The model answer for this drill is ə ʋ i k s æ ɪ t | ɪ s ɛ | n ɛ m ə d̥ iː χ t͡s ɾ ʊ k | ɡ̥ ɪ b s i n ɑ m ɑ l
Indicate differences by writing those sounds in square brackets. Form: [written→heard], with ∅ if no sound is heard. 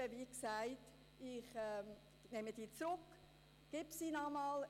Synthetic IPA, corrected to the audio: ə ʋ i k s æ ɪ t | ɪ [s→χ] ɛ | n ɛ m ə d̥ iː [χ→∅] t͡s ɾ ʊ k | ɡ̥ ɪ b s i n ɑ m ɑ l